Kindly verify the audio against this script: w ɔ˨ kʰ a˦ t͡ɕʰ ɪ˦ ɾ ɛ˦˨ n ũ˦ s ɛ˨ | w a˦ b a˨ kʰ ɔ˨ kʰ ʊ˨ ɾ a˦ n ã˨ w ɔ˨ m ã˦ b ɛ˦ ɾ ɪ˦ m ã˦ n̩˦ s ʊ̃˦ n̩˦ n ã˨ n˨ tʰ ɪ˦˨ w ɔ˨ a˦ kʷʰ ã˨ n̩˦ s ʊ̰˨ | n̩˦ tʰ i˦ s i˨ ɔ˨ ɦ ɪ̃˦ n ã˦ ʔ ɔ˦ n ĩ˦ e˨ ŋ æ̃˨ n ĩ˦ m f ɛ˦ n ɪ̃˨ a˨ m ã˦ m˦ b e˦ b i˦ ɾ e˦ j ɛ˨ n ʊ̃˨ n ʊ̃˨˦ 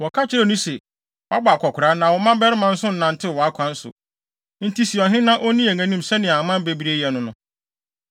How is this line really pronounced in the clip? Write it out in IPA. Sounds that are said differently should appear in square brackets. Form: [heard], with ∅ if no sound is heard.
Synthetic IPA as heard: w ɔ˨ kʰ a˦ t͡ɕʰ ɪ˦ ɾ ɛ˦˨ n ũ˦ s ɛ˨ | w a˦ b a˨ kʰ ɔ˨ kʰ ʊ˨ ɾ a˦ n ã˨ w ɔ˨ m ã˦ b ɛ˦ ɾ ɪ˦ m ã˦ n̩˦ s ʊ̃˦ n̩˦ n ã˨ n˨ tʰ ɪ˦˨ w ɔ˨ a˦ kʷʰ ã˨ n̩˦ s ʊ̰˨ | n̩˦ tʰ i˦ s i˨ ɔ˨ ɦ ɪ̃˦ n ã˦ ʔ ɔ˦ n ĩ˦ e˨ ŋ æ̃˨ n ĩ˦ m [s] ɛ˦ n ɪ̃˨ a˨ m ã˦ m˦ b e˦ b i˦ ɾ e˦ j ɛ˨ n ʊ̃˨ n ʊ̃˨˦